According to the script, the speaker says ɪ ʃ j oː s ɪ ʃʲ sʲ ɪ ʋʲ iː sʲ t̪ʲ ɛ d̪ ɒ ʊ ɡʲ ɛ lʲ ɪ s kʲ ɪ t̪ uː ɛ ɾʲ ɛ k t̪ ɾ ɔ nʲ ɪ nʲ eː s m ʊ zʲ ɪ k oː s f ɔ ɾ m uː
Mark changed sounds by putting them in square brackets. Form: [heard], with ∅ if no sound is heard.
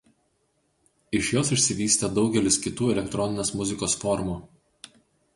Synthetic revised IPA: ɪ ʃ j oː s ɪ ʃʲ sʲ ɪ ʋʲ iː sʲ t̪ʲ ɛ d̪ ɒ ʊ ɡʲ ɛ lʲ ɪ s kʲ ɪ t̪ uː ɛ [lʲ] ɛ k t̪ ɾ ɔ nʲ ɪ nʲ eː s m ʊ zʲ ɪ k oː s f ɔ ɾ m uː